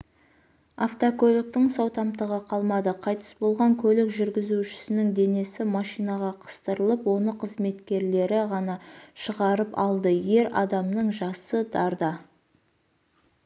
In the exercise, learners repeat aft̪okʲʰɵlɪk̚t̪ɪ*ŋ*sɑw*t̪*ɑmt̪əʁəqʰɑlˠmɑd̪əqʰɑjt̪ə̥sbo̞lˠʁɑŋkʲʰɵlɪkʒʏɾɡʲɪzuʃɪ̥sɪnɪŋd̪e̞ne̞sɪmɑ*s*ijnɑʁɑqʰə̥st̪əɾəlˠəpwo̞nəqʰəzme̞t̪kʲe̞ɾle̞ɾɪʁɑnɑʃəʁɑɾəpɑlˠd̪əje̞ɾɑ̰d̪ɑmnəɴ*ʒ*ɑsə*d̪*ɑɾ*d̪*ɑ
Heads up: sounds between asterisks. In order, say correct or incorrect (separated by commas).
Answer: correct, correct, incorrect, correct, correct, correct